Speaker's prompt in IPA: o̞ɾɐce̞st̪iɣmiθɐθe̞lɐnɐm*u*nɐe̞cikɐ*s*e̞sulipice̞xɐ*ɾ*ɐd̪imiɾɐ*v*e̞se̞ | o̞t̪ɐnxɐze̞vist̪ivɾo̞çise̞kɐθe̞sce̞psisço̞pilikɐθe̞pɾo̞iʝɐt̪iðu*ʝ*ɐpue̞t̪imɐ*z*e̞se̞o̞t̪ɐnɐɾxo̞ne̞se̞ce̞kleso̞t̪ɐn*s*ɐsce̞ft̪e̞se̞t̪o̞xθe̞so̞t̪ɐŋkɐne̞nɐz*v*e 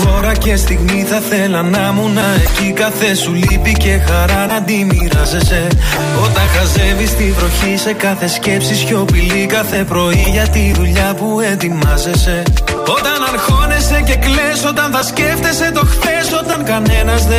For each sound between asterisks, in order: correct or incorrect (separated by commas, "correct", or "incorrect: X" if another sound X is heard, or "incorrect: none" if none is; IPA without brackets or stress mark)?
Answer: correct, incorrect: θ, correct, incorrect: z, incorrect: ʎ, correct, incorrect: θ, incorrect: ð